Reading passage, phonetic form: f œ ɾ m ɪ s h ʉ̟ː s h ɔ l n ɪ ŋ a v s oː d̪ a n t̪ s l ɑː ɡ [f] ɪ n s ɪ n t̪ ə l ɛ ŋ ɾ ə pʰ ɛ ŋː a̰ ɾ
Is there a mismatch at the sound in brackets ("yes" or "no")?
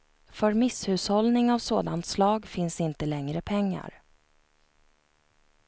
no